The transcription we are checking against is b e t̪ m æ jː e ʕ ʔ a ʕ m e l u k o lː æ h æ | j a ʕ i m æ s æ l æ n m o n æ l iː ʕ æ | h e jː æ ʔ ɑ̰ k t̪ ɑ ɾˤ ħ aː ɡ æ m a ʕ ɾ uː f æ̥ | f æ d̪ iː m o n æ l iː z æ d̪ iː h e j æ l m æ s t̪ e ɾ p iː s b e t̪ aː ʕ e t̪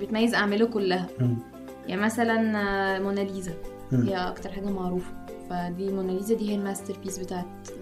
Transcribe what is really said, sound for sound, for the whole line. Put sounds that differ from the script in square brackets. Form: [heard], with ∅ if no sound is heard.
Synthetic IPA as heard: b e t̪ m æ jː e [z] ʔ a ʕ m e l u k o lː æ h æ | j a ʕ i m æ s æ l æ n m o n æ l iː [z] æ | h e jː æ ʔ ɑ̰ k t̪ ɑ ɾˤ ħ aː ɡ æ m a ʕ ɾ uː f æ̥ | f æ d̪ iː m o n æ l iː z æ d̪ iː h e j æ l m æ s t̪ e ɾ p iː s b e t̪ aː ʕ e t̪